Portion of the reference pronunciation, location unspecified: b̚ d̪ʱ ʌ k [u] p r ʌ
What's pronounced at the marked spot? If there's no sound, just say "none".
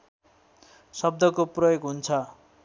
o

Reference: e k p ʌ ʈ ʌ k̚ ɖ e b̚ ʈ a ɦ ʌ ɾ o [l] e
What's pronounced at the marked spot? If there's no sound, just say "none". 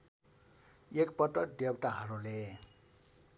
l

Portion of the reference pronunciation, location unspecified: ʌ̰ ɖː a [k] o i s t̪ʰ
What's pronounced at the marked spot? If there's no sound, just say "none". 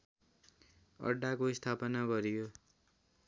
k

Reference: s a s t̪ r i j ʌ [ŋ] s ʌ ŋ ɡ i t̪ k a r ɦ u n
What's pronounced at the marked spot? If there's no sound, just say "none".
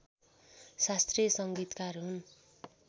none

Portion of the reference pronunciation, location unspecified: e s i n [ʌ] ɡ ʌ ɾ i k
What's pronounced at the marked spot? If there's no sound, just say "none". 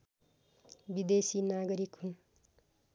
a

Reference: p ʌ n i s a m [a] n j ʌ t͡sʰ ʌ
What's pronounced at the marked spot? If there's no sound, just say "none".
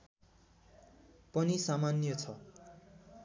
a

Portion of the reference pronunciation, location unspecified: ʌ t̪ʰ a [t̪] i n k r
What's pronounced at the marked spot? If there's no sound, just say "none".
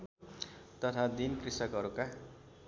d̪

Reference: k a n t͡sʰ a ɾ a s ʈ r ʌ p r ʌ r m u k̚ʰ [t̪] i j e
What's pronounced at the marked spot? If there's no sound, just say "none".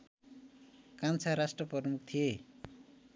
t̪ʰ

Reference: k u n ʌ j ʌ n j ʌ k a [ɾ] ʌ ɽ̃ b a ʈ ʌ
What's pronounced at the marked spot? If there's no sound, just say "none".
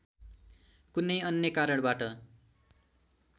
ɾ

